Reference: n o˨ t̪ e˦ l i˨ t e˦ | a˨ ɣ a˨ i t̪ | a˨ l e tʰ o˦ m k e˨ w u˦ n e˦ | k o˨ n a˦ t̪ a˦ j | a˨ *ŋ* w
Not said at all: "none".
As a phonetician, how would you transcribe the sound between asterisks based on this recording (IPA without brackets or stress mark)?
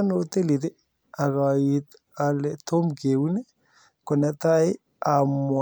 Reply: m